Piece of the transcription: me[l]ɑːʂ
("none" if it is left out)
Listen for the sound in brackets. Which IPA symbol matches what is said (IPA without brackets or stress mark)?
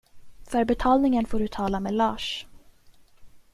l